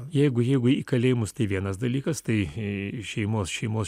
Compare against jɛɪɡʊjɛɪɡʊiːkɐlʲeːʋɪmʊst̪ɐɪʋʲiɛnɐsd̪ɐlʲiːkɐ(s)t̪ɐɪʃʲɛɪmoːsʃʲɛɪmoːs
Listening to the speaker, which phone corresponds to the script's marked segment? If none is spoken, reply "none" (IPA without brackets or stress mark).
s